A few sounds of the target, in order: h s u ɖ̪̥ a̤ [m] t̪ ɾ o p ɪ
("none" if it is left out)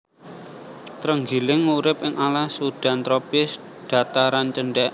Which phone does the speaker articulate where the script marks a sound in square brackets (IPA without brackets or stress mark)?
n